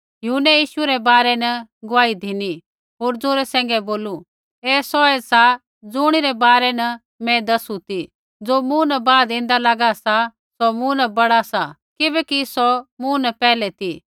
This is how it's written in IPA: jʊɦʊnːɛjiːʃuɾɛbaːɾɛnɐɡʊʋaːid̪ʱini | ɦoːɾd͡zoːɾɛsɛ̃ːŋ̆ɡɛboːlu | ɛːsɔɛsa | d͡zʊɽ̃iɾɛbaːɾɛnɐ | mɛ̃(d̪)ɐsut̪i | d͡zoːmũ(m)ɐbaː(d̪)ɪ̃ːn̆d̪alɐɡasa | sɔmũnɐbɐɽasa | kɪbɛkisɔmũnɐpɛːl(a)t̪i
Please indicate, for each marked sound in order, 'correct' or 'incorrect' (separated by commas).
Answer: correct, incorrect, correct, incorrect